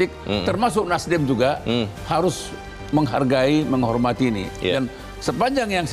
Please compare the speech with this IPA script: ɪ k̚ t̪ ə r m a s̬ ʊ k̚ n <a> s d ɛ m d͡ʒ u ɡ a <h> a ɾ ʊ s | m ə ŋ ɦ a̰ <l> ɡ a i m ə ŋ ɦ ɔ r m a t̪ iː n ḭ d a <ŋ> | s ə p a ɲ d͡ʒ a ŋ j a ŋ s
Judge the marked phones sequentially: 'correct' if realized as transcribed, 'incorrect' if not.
correct, correct, incorrect, incorrect

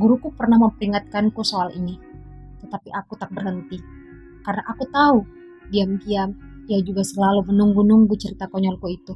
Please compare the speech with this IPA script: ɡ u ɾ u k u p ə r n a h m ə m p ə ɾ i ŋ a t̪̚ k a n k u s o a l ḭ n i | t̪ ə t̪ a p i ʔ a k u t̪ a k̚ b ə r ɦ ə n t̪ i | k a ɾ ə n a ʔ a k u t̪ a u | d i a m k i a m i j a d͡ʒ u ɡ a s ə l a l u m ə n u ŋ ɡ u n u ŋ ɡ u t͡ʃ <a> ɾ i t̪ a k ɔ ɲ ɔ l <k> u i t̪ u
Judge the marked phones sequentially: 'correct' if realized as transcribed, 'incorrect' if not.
incorrect, correct

